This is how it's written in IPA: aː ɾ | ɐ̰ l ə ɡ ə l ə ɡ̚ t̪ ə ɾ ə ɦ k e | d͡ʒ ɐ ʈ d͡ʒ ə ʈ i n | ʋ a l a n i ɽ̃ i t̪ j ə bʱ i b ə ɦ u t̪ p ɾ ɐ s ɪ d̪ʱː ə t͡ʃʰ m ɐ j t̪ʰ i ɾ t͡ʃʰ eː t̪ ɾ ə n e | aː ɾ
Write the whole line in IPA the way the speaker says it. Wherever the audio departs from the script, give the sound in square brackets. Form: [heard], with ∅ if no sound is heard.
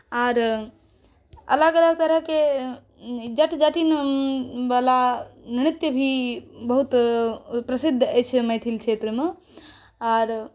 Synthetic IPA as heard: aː ɾ | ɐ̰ l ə ɡ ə l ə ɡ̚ t̪ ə ɾ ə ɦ k e | d͡ʒ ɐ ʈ d͡ʒ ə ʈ i n | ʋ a l a n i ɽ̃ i t̪ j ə bʱ i b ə ɦ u t̪ p ɾ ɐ s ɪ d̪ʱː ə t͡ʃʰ m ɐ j t̪ʰ i [l] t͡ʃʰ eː t̪ ɾ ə [m] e | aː ɾ